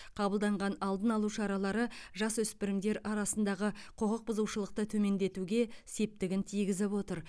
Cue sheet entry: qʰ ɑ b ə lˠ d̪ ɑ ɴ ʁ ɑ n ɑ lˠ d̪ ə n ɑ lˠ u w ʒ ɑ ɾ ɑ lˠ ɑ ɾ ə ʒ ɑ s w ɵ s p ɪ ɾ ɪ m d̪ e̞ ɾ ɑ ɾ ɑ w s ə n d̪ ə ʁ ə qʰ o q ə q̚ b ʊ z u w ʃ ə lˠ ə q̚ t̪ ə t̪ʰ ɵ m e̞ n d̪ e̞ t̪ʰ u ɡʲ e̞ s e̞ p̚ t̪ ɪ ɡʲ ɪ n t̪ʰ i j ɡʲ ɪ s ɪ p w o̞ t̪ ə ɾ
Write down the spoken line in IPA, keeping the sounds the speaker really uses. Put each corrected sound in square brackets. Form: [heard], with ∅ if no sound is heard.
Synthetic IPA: qʰ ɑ b ə lˠ d̪ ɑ ɴ ʁ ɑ n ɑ lˠ d̪ ə n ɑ lˠ u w [ʃ] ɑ ɾ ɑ lˠ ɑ ɾ ə ʒ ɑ s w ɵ s p ɪ ɾ ɪ m d̪ e̞ ɾ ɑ ɾ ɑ [∅] s ə n d̪ [ɑ] ʁ ə qʰ o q ə q̚ b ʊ z u w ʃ ə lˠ ə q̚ t̪ ə t̪ʰ ɵ m e̞ n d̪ e̞ [t̪] u ɡʲ e̞ s e̞ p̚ t̪ ɪ ɡʲ ɪ n t̪ʰ i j ɡʲ ɪ [z] ɪ p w o̞ t̪ ə ɾ